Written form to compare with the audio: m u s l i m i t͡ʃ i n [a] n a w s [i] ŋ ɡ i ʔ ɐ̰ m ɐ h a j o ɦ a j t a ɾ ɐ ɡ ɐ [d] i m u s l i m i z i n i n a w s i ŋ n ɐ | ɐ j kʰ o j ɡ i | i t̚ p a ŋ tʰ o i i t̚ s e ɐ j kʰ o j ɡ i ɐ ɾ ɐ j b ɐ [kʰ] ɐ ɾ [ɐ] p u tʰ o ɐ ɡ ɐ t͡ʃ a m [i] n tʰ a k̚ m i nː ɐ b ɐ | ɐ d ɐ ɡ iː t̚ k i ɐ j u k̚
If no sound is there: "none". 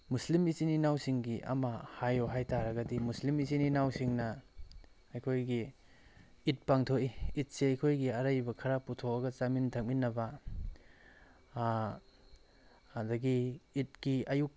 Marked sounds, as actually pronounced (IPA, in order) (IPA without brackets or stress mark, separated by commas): i, i, d, kʰ, a, i